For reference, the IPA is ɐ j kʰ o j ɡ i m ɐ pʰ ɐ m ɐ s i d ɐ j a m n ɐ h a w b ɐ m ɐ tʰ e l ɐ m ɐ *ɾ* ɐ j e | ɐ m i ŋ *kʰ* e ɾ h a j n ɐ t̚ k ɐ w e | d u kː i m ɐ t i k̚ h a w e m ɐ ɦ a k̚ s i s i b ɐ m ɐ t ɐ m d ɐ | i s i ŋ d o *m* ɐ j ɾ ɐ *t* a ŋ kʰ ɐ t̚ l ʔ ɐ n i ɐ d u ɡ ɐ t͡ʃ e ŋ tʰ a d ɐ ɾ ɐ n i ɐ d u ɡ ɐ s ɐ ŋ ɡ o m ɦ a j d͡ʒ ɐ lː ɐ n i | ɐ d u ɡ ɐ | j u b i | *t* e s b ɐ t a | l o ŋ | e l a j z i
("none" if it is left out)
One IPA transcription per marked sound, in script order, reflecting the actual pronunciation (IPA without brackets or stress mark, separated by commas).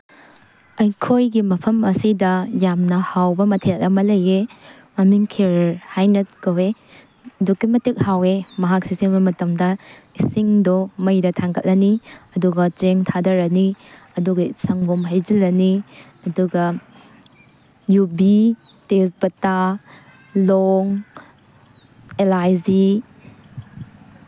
l, kʰ, m, tʰ, t